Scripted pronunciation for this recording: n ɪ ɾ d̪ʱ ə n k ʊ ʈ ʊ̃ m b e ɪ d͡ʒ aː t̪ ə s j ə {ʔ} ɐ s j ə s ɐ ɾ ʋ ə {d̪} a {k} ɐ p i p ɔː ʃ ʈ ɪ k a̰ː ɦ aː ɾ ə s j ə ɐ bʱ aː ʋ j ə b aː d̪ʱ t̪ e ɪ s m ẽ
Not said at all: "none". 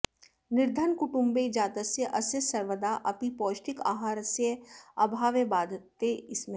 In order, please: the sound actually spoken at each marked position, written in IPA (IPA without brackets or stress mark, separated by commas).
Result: ʔ, d̪, ʔ